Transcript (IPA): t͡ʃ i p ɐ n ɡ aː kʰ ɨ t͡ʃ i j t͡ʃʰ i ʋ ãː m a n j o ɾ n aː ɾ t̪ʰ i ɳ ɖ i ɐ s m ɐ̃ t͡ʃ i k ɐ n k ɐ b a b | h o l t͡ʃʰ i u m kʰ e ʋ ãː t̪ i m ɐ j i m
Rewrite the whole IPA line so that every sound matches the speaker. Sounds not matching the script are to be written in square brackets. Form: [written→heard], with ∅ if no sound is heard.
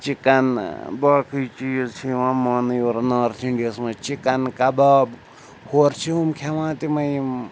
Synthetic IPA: t͡ʃ i [p→k] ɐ n [ɡ→b] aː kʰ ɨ t͡ʃ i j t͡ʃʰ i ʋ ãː m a n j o ɾ n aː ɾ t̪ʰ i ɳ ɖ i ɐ s m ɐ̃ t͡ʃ i k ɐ n k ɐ b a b | h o [l→ɾ] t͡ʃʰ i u m kʰ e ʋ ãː t̪ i m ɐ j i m

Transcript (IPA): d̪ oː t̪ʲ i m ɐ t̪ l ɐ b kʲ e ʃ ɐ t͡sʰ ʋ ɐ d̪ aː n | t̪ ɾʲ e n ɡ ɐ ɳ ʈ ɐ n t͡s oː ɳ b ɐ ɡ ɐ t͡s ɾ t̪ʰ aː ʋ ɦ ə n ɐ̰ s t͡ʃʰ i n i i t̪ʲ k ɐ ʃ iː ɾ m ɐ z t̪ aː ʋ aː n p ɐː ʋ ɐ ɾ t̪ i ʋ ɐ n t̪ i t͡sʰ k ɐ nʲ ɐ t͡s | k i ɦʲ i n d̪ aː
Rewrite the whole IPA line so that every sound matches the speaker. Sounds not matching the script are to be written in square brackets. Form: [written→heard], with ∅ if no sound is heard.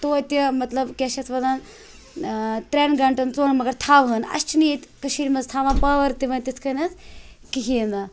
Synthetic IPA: [d̪→t̪] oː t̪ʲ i m ɐ t̪ l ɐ b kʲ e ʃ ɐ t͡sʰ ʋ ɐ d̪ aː n | t̪ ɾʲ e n ɡ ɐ ɳ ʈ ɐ n t͡s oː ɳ [b→m] ɐ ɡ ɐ [t͡s→∅] ɾ t̪ʰ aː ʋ ɦ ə n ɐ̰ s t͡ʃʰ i n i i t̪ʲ k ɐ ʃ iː ɾ m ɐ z [t̪→t̪ʰ] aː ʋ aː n p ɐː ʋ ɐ ɾ t̪ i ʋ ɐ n t̪ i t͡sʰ k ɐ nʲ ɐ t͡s | k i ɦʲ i n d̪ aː

